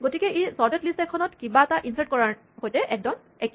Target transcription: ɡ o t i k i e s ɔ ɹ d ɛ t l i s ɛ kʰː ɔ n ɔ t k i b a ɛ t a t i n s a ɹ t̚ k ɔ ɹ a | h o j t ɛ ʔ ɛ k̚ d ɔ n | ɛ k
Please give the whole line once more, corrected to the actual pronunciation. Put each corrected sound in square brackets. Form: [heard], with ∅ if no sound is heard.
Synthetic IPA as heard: ɡ o t i k [ɛ] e s ɔ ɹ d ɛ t l i s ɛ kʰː ɔ n ɔ t k i b a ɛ t a [ʔ] i n s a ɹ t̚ k ɔ ɹ a | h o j t ɛ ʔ ɛ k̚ d ɔ n | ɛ k